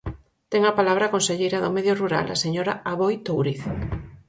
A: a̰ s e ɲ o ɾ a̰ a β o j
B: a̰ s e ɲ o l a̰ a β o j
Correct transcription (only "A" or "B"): A